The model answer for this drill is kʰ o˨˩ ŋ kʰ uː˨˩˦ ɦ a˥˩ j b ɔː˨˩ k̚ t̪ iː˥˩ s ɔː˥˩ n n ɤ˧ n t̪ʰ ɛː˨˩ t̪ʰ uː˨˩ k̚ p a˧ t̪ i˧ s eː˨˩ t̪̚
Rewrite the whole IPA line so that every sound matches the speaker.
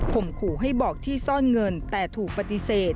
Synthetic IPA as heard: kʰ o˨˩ m kʰ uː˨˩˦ ɦ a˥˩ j b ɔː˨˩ k̚ t̪ʰ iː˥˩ s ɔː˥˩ n ŋ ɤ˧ n t̪ ɛː˨˩ t̪ʰ uː˨˩ k̚ p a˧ t̪ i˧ s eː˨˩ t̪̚